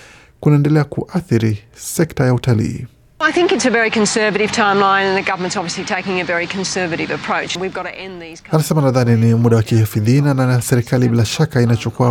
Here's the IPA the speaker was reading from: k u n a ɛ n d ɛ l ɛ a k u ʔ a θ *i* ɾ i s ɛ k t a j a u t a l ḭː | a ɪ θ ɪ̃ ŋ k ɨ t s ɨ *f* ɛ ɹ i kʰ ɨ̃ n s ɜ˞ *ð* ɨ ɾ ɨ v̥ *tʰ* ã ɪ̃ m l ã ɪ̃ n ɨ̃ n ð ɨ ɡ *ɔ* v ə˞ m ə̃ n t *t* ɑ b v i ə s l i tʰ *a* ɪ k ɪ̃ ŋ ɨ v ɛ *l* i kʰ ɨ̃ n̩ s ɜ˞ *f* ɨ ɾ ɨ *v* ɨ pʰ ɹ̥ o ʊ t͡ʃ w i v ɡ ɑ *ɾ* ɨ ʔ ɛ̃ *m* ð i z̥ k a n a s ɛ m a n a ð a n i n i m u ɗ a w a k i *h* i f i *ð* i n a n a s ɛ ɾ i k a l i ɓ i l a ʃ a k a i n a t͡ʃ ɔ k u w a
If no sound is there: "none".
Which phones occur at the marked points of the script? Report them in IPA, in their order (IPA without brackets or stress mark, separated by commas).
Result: i, v, v, tʰ, ʌ, s, e, ɹ, v, v, ɾ, n, h, ð